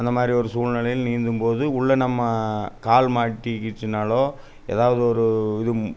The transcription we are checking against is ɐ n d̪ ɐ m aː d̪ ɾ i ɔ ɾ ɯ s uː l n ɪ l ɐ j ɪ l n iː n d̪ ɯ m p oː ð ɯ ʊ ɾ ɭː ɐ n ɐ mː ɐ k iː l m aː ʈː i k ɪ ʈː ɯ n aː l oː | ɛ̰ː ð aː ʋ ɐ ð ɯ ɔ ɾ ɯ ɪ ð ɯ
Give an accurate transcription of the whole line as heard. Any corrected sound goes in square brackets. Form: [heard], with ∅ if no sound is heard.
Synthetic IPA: ɐ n d̪ ɐ m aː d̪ ɾ i ɔ ɾ ɯ s uː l n ɪ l ɐ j ɪ l n iː n d̪ ɯ m p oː ð ɯ ʊ [∅] ɭː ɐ n ɐ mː ɐ k [aː] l m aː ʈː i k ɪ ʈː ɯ n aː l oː | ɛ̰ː ð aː ʋ ɐ ð ɯ ɔ ɾ ɯ ɪ ð ɯ